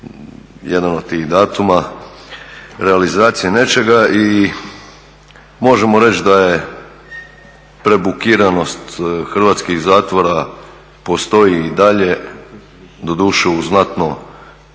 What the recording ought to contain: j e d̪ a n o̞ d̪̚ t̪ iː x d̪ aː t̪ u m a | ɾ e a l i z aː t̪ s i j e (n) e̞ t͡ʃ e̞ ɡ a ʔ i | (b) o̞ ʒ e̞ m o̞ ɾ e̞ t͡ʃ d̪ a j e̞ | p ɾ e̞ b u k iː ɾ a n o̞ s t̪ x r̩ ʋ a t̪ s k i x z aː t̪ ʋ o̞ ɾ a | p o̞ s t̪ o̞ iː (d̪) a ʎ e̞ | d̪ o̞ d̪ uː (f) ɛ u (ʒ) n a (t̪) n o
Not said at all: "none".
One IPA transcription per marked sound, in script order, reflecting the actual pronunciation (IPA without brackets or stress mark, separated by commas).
n, m, d̪, ʃ, z, t̪